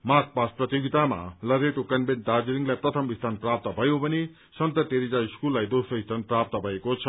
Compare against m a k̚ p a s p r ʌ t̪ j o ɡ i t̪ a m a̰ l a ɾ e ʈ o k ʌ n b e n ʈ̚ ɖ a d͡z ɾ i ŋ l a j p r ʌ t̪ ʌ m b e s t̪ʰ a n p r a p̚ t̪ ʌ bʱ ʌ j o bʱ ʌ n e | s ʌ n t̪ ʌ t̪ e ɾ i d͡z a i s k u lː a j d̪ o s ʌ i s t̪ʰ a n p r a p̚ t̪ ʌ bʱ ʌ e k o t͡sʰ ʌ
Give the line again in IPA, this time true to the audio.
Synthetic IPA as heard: m a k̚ p a s p r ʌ t̪ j o ɡ i t̪ a m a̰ l ʌ ɾ e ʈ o k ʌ n b e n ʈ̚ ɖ a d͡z ɾ i ŋ l a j p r ʌ t̪ʰ ʌ m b i s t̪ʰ a n p r a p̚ t̪ ʌ bʱ ʌ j o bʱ ʌ n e | s ʌ n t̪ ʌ t̪ e ɾ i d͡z a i s k u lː a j d̪ o s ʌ i s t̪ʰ a n p r a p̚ t̪ ʌ bʱ ʌ e k o t͡sʰ ʌ